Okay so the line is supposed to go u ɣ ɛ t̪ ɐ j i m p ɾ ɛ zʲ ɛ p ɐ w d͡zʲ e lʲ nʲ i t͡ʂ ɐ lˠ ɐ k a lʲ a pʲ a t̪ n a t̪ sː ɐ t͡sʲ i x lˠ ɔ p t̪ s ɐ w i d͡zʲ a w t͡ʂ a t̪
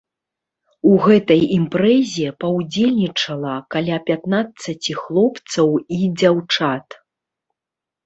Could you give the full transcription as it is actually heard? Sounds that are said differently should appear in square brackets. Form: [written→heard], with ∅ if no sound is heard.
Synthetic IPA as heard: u ɣ ɛ t̪ ɐ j i m p ɾ ɛ zʲ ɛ p ɐ w d͡zʲ e lʲ nʲ i t͡ʂ ɐ lˠ ɐ k a lʲ a pʲ a t̪ n a t̪ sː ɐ t͡sʲ i x lˠ ɔ p t̪ s ɐ w i d͡zʲ a w t͡ʂ a t̪